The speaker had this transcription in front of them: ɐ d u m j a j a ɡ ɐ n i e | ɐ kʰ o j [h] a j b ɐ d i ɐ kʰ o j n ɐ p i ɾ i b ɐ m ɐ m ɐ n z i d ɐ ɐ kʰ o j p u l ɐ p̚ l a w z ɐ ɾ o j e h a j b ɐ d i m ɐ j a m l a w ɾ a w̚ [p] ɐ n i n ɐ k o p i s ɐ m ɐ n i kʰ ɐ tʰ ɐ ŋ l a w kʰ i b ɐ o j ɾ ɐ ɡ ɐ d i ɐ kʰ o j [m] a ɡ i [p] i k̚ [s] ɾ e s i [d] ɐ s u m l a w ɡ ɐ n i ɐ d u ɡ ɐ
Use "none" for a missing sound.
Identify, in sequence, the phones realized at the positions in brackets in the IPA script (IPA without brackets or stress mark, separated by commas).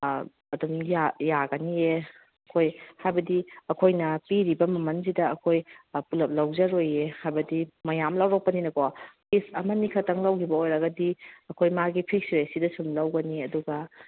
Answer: h, p, m, pʰ, s, d